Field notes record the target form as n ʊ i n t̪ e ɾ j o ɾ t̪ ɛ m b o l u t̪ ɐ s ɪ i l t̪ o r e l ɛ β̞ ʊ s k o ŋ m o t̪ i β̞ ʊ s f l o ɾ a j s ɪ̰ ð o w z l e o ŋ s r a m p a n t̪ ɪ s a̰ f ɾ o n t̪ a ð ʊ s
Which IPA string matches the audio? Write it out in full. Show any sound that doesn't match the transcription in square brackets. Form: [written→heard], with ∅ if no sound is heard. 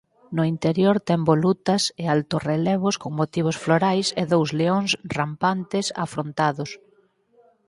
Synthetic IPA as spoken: n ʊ i n t̪ e ɾ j o ɾ t̪ ɛ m b o l u t̪ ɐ s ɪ [i→a] l t̪ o r e l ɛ β̞ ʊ s k o ŋ m o t̪ i β̞ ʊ s f l o ɾ a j s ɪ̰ ð o w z l e o ŋ s r a m p a n t̪ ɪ s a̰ f ɾ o n t̪ a ð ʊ s